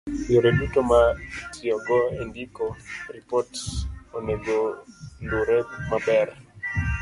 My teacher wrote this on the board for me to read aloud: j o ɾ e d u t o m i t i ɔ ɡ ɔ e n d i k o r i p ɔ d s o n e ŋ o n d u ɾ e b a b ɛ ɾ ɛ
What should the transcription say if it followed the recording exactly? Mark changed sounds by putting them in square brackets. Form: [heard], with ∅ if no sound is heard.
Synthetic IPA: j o ɾ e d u t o m [a] t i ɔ ɡ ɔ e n d i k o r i p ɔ [t] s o n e [ɡ] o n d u ɾ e [m] a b ɛ ɾ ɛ